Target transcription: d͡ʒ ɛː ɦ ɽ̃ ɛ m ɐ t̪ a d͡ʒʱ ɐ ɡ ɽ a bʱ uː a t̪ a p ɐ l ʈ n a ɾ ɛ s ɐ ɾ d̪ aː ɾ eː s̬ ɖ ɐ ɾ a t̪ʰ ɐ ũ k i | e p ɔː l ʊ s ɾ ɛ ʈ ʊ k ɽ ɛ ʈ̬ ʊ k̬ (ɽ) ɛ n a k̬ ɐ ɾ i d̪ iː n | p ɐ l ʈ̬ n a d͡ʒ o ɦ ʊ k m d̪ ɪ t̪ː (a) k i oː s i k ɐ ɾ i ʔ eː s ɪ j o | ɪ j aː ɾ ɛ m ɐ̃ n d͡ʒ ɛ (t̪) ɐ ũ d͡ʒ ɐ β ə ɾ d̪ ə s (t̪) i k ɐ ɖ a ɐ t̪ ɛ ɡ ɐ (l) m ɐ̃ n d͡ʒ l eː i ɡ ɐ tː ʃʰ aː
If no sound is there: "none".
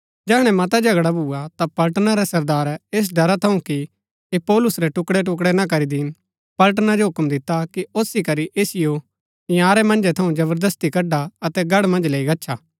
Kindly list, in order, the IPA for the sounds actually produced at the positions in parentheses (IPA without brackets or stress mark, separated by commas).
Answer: ɽ, a, t̪ʰ, t̪, ɽ